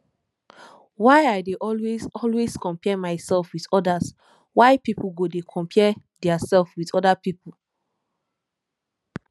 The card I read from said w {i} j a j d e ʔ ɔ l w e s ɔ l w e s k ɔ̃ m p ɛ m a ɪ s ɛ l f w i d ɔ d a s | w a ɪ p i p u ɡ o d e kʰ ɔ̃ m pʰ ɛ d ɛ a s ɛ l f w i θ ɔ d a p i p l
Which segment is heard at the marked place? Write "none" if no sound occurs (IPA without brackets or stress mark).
a